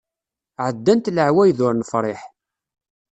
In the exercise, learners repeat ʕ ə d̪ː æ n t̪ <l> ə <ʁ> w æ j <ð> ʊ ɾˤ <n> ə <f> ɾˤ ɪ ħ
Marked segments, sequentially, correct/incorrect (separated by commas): correct, incorrect, correct, correct, correct